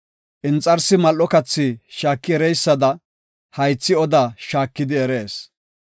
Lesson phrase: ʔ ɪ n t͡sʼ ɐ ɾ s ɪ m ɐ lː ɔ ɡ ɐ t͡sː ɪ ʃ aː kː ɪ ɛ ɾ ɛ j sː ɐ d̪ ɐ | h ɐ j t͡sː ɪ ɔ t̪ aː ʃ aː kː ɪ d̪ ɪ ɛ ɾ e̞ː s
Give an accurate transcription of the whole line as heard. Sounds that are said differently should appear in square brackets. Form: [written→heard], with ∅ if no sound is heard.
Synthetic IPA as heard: ʔ ɪ n t͡sʼ ɐ ɾ s ɪ m ɐ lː ɔ [ɡ→k] ɐ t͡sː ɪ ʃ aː kː ɪ ɛ ɾ ɛ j sː ɐ d̪ ɐ | h ɐ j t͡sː ɪ ɔ [t̪→d̪] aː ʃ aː kː ɪ d̪ ɪ ɛ ɾ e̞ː s